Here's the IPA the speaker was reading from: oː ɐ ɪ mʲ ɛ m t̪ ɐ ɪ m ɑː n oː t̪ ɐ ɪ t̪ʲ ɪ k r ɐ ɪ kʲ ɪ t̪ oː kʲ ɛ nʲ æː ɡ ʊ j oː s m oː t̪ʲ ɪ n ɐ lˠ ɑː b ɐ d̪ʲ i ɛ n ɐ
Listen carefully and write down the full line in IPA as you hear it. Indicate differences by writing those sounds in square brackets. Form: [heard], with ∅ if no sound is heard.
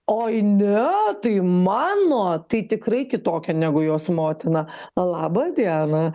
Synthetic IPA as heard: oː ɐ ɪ [nʲ] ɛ [∅] t̪ ɐ ɪ m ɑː n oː t̪ ɐ ɪ t̪ʲ ɪ k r ɐ ɪ kʲ ɪ t̪ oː kʲ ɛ nʲ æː ɡ ʊ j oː s m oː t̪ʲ ɪ n ɐ lˠ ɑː b ɐ d̪ʲ i ɛ n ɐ